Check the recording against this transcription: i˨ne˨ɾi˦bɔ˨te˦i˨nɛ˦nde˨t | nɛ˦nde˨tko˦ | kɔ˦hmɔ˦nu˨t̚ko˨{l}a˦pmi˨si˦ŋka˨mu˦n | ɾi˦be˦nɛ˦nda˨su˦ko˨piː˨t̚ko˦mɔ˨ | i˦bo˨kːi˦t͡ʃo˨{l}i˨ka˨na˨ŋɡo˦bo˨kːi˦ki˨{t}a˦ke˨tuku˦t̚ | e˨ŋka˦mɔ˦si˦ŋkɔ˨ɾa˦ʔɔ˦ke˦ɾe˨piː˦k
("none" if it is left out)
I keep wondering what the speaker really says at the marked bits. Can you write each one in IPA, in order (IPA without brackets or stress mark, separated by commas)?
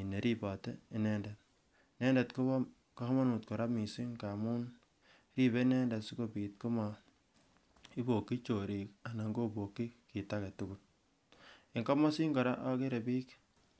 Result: ɾ, ɾ, t